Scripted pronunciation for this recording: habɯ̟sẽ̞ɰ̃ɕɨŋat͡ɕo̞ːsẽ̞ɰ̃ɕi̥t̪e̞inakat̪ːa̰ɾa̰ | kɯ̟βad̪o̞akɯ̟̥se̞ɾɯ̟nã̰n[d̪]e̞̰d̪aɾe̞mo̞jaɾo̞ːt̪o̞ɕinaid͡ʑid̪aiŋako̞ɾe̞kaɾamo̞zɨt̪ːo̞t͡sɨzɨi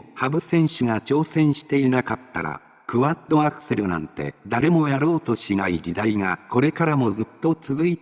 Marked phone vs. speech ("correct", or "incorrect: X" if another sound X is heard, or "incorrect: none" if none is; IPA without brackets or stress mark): incorrect: t̪